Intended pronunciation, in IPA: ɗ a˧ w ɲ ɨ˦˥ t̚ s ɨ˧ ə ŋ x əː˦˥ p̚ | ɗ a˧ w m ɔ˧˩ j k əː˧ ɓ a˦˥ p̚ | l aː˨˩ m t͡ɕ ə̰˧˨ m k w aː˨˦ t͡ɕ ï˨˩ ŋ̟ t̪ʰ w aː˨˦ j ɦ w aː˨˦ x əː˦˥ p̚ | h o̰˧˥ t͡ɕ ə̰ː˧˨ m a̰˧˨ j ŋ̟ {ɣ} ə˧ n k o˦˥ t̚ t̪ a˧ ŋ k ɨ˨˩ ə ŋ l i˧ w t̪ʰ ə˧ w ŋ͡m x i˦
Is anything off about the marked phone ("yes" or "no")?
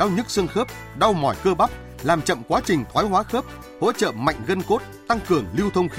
no